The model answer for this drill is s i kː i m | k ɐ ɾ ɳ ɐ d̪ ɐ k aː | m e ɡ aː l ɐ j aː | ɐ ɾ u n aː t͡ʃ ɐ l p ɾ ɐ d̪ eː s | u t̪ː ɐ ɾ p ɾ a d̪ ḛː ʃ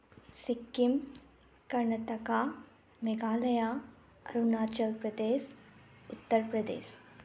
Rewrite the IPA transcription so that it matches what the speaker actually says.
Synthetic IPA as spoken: s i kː i m | k ɐ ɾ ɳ ɐ t̪ ɐ k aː | m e ɡ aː l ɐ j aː | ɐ ɾ u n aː t͡ʃ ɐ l p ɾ ɐ d̪ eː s | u t̪ː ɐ ɾ p ɾ ɐ d̪ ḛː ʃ

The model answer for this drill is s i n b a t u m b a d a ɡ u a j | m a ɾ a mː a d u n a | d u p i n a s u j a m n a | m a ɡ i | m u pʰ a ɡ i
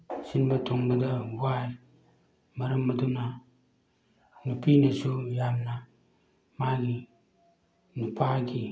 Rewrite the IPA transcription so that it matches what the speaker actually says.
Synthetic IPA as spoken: s i n b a t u ŋ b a d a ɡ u a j | m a ɾ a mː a d u n a | n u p i n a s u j a m n a | m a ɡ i | n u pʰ a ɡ i

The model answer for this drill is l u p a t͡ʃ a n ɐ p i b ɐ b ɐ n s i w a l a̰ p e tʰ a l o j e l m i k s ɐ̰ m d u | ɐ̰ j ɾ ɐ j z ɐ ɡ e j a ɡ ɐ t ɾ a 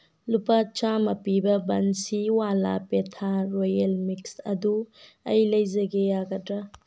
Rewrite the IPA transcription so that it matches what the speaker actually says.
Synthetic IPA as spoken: l u p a t͡ʃ a m ɐ p i b ɐ b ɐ n s i w a l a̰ p e tʰ a ɾ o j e l m i k s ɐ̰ d u | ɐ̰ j l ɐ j z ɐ ɡ e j a ɡ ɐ t ɾ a

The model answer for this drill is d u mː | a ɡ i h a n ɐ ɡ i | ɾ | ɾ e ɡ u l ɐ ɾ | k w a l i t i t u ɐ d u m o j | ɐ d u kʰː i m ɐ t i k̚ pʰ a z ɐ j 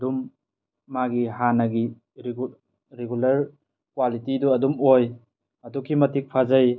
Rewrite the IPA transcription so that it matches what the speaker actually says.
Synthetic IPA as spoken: d u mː | a ɡ i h a n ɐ ɡ i | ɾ | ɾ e ɡ u l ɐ ɾ | k w a l i t i d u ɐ d u m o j | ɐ d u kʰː i m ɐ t i k̚ pʰ a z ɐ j

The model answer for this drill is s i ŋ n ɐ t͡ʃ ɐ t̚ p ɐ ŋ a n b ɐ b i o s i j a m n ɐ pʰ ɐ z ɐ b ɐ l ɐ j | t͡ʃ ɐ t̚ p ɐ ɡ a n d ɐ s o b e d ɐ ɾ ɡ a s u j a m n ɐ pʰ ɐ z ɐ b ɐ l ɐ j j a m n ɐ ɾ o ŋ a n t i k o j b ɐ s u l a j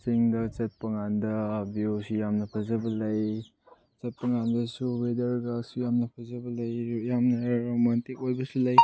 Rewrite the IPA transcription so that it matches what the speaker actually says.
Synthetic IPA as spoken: s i ŋ d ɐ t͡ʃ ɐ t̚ p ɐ ŋ a n d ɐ b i o s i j a m n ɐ pʰ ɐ z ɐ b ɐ l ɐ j | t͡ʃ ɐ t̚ p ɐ ŋ a n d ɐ s u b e d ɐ ɾ ɡ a s u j a m n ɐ pʰ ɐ z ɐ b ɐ l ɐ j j a m n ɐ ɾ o m a n t i k o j b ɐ s u l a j

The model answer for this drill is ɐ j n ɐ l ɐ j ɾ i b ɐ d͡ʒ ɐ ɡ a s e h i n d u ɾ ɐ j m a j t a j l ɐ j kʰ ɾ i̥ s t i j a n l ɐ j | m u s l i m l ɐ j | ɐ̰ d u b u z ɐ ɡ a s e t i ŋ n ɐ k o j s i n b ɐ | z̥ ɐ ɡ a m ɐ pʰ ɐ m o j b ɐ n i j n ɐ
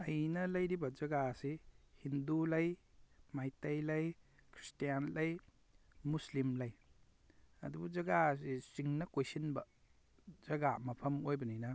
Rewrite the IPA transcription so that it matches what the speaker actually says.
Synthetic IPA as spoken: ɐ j n ɐ l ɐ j ɾ i b ɐ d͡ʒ ɐ ɡ a s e h i n d u l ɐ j m a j t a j l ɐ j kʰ ɾ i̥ s t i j a n l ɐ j | m u s l i m l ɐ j | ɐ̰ d u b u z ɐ ɡ a s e s i ŋ n ɐ k o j s i n b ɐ | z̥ ɐ ɡ a m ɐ pʰ ɐ m o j b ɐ n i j n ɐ

